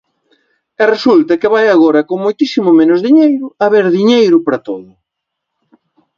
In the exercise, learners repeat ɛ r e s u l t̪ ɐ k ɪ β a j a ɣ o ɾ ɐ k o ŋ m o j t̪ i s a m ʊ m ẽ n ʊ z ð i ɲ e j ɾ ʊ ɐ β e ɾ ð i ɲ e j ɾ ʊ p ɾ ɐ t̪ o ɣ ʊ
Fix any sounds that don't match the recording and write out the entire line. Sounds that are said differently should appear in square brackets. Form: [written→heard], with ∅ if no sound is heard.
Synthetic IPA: ɛ r e s u l t̪ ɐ k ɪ β a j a ɣ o ɾ ɐ k o ŋ m o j t̪ i s [a→i] m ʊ m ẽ n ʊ z ð i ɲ e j ɾ ʊ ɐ β e ɾ ð i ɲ e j ɾ ʊ p ɾ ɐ t̪ o [ɣ→ð] ʊ